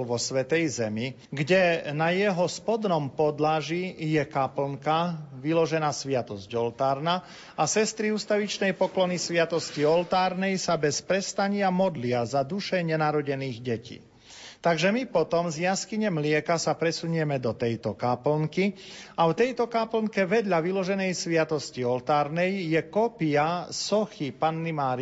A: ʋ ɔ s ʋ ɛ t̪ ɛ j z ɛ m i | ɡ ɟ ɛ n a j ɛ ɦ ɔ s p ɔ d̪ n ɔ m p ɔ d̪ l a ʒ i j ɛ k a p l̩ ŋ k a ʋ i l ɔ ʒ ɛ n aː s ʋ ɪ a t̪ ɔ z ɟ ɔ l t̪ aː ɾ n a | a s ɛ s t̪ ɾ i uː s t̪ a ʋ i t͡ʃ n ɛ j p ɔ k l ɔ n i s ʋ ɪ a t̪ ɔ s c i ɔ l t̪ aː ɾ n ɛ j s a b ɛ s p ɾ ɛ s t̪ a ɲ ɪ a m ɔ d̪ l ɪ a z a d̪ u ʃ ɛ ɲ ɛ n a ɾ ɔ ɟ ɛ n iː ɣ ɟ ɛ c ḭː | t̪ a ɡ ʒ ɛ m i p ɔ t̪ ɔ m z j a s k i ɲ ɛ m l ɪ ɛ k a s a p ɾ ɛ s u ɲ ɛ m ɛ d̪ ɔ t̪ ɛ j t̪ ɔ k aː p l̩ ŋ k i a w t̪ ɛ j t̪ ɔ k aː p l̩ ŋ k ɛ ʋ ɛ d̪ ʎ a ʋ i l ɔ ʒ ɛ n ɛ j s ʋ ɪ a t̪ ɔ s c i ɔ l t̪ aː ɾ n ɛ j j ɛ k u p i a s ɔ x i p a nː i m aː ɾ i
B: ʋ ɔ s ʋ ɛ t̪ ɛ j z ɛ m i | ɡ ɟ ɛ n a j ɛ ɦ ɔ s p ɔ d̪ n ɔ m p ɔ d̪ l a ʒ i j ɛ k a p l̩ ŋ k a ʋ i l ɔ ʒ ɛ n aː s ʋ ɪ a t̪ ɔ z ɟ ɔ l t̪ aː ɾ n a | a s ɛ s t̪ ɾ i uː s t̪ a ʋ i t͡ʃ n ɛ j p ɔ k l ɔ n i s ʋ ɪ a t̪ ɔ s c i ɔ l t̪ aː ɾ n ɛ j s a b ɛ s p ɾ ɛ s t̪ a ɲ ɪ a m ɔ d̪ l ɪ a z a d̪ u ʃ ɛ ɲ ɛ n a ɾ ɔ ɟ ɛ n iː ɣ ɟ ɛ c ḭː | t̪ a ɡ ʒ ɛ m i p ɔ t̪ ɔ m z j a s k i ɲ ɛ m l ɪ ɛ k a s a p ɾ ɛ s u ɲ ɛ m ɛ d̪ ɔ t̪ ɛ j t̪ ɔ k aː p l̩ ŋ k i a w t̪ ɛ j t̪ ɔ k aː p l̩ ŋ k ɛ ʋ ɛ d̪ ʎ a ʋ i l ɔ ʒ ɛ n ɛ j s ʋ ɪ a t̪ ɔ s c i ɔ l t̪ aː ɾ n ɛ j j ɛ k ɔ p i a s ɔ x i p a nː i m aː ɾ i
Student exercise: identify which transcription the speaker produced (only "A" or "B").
B